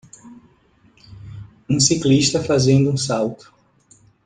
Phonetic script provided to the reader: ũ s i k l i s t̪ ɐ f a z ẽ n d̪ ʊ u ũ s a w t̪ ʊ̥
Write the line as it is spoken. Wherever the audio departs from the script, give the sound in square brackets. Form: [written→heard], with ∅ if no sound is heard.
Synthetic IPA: ũ s i k l i [s→ʃ] t̪ ɐ f a z ẽ n d̪ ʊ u ũ s a w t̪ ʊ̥